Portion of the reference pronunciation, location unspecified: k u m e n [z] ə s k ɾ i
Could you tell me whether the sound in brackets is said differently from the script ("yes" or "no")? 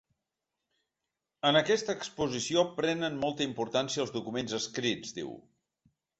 no